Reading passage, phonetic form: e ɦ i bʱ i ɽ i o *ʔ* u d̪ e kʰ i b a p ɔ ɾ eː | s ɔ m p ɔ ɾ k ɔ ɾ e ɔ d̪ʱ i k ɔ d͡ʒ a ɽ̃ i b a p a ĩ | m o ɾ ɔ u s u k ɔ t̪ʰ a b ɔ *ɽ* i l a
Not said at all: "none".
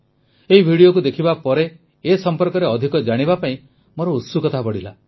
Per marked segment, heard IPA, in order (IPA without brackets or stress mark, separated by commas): k, ɽ